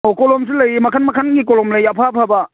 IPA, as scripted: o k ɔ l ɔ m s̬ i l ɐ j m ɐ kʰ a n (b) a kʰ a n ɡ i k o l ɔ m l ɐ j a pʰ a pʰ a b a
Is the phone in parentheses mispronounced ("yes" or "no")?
yes